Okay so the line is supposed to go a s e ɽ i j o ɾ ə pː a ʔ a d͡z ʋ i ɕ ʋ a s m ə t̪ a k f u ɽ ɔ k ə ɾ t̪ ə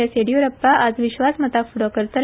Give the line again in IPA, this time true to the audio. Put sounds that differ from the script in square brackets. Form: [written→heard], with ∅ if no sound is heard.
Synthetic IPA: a s e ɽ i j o ɾ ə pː a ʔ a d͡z ʋ i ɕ ʋ a s m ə t̪ a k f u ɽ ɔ k ə ɾ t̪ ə